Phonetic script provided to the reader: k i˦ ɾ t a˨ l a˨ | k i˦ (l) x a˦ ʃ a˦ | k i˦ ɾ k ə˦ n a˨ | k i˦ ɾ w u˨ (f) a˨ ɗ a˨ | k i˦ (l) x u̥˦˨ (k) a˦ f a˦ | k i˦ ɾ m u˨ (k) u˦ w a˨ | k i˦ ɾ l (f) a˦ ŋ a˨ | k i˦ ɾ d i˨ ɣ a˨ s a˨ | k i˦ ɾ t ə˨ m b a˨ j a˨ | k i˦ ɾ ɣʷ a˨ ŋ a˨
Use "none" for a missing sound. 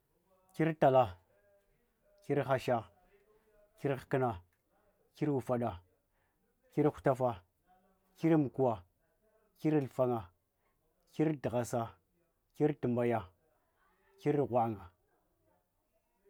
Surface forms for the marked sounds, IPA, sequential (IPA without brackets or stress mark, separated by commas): ɾ, f, ɾ, t, k, f